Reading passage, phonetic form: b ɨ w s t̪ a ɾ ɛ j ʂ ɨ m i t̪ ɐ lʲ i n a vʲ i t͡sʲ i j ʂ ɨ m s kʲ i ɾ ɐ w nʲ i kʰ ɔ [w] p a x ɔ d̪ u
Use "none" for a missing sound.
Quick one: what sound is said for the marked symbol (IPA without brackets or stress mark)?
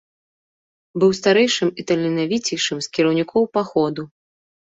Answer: w